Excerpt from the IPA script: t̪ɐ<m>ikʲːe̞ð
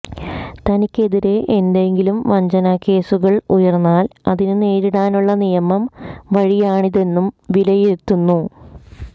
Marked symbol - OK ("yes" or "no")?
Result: no